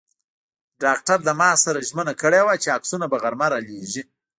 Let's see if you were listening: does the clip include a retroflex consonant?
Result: yes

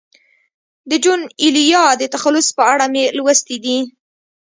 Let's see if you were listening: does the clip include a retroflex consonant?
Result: yes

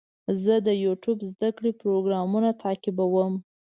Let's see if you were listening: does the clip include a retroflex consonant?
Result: yes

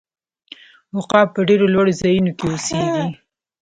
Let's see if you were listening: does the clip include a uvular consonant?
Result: yes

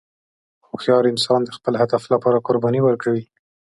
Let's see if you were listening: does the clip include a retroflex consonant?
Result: no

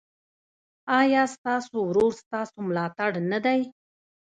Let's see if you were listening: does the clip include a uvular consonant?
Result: no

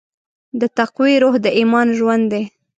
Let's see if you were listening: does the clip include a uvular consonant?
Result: yes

